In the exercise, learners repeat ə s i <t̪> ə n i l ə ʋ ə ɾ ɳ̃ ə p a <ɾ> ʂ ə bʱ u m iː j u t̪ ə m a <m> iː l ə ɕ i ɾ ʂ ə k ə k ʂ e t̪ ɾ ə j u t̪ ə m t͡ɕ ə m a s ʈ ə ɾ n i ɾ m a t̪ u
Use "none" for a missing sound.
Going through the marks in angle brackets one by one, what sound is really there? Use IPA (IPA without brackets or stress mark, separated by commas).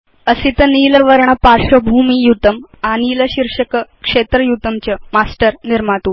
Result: t̪, ɾ, n